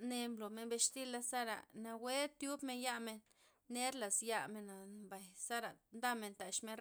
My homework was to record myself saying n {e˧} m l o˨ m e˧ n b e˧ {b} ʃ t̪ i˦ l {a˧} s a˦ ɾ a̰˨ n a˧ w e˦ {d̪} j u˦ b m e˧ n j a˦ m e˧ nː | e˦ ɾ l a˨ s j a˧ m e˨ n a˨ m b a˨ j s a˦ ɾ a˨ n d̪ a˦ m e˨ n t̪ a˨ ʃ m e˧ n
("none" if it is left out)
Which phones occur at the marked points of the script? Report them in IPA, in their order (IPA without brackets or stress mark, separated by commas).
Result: e˧, none, a˧, t̪